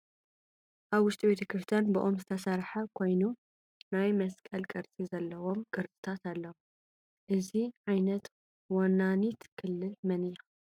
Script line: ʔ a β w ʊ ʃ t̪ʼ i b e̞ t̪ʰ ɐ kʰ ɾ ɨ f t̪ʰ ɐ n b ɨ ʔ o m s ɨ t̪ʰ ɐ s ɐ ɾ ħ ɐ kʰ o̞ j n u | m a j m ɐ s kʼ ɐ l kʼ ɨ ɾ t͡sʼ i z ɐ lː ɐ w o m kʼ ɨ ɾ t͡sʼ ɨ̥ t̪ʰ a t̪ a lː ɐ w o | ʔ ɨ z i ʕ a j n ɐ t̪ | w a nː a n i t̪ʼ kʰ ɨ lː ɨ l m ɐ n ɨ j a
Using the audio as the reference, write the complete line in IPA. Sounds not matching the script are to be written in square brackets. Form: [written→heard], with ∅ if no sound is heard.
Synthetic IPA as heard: ʔ a β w ʊ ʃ t̪ʼ i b e̞ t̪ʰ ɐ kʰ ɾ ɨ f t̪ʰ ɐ n b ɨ ʔ o m [s→z] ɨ t̪ʰ ɐ s ɐ ɾ ħ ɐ kʰ o̞ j n u | [m→n] a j m ɐ s kʼ ɐ l kʼ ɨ ɾ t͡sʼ i z ɐ lː ɐ w o m kʼ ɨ ɾ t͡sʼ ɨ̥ t̪ʰ a t̪ a lː ɐ w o | ʔ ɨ z i ʕ a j n ɐ t̪ | w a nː a n i [t̪ʼ→t̪] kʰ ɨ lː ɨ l m ɐ n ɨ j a